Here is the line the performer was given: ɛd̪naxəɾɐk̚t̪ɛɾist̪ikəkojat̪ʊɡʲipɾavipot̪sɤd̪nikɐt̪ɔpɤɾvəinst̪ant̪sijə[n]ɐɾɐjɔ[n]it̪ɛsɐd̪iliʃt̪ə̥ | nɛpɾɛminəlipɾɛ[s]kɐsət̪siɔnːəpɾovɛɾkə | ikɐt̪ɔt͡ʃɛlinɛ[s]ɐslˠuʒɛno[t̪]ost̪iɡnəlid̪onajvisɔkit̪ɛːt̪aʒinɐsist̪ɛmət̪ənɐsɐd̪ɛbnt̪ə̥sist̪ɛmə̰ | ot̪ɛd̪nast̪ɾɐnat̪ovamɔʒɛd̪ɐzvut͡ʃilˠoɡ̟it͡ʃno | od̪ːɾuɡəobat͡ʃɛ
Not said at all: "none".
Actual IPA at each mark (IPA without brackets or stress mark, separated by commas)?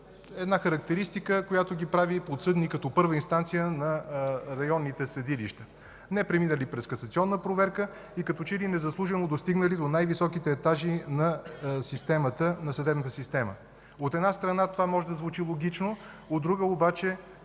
n, nː, s, z, d̪